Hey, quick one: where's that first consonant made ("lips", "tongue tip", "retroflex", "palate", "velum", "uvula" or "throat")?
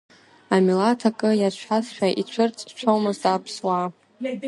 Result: lips